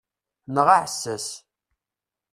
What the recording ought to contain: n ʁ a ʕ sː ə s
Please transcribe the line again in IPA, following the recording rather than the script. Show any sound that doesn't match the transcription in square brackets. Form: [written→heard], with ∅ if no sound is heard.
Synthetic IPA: n ʁ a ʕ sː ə s

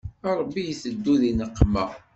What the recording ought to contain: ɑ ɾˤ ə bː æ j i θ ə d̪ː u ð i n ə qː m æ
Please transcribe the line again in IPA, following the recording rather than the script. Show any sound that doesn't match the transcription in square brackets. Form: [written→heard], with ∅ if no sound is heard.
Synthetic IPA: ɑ ɾˤ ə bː [æ→i] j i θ ə d̪ː u ð i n ə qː m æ

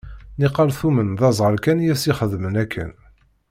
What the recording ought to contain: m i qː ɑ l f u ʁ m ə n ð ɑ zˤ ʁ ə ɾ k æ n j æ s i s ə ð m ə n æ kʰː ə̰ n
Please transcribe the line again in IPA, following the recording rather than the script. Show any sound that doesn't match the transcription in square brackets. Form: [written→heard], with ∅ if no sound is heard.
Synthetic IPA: [m→n] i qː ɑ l [f→θ] u [ʁ→∅] m ə n ð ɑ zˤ ʁ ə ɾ k æ n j æ s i [s→χ] ə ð m ə n æ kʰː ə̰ n

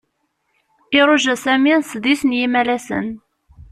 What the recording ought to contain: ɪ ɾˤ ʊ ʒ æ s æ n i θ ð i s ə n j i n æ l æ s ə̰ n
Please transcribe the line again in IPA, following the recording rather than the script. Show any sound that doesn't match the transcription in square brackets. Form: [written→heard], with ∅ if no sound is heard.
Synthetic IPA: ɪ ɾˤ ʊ ʒ æ s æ [n→m] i [θ→s] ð i s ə n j i [n→m] æ l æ s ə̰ n

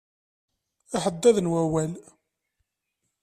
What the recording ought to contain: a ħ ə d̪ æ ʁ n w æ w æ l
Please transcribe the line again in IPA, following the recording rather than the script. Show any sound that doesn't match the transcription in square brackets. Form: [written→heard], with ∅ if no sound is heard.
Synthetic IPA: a ħ ə [d̪→d̪ː] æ [ʁ→ð] n w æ w æ l

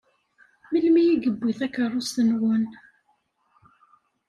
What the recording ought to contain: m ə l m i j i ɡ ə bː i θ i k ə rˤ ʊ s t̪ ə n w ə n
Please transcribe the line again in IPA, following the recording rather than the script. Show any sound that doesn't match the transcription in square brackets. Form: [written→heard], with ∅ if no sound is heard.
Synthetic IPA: m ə l m i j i ɡ ə bː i θ [i→æ] k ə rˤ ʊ s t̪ ə n w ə n

